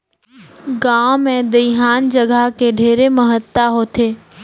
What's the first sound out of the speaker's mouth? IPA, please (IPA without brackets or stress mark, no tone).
ɡ